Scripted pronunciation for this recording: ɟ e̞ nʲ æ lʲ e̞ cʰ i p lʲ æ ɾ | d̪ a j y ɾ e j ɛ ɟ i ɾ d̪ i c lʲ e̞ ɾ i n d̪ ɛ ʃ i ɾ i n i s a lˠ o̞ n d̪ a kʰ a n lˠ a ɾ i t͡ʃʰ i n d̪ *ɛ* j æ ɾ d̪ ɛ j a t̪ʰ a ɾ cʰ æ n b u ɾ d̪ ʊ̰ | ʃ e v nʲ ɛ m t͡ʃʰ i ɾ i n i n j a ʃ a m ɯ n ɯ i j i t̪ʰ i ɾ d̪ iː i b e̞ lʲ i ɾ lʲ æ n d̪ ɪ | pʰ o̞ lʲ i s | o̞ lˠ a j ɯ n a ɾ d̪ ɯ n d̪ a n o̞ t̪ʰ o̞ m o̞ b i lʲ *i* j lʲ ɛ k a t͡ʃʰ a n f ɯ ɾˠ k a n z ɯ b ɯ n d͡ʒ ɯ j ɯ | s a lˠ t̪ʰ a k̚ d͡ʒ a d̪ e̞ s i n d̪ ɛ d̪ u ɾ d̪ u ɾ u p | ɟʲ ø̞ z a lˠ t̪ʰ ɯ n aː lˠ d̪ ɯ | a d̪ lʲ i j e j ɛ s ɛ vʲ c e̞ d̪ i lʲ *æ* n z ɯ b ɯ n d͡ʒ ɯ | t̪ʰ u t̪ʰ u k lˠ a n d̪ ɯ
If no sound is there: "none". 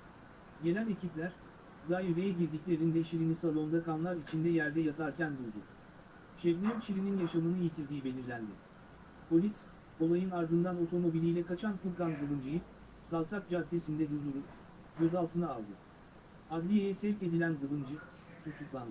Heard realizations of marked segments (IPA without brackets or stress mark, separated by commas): ɛ, i, æ